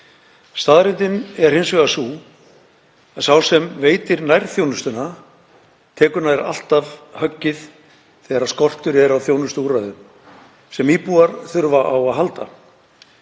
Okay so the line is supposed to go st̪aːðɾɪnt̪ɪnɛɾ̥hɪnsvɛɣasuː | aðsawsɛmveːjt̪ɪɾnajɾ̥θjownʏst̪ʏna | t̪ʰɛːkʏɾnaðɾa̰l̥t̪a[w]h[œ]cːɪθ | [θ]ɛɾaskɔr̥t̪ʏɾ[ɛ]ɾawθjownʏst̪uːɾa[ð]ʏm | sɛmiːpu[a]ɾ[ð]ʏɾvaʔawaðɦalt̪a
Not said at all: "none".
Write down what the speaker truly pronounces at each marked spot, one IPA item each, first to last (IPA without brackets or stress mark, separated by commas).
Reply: v, œ, θ, ɛ, ð, a, θ